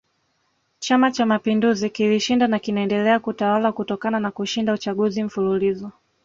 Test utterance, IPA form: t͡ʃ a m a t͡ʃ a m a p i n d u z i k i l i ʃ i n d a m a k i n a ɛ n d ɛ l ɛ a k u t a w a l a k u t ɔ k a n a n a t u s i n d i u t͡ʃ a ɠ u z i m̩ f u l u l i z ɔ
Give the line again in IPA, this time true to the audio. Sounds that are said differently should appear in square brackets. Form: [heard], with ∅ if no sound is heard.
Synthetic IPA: t͡ʃ a m a t͡ʃ a m a p i n d u z i k i l i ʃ i n d a [n] a k i n a ɛ n d ɛ l ɛ a k u t a w a l a k u t ɔ k a n a n a [k] u [ʃ] i n d [a] u t͡ʃ a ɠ u z i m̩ f u l u l i z ɔ